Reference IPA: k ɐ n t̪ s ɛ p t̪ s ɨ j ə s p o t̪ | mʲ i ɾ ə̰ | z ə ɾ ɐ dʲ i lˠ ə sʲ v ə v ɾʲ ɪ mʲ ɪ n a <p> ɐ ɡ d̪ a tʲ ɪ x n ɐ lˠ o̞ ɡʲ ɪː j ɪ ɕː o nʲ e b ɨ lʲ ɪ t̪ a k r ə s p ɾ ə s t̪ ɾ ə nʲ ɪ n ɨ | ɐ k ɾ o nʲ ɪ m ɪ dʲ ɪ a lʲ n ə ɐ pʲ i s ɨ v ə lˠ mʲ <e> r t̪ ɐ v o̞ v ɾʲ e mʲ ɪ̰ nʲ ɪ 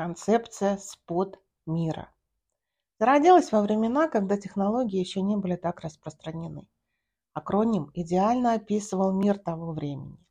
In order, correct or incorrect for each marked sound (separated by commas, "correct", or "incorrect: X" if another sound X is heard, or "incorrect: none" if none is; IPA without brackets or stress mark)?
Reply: incorrect: k, incorrect: i